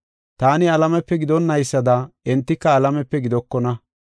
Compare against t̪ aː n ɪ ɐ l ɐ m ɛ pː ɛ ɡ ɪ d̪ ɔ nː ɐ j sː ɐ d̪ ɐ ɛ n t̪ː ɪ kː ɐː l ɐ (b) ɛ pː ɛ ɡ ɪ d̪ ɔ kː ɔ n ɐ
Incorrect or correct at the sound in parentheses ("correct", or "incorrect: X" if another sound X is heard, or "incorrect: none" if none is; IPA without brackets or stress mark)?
incorrect: m